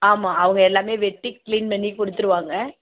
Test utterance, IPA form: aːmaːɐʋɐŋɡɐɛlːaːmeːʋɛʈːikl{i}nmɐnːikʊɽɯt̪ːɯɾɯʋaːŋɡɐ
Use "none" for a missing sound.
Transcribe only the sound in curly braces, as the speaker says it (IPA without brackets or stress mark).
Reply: iː